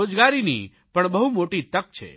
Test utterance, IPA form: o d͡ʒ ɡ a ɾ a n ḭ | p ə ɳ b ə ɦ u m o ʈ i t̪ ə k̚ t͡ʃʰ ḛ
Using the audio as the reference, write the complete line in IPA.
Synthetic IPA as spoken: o d͡ʒ ɡ a ɾ i n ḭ | p ə ɳ b ə ɦ u m o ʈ i t̪ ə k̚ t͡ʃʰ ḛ